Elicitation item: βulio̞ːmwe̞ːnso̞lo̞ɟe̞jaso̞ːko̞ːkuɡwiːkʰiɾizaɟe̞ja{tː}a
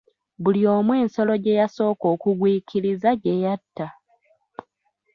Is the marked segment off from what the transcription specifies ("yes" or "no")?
no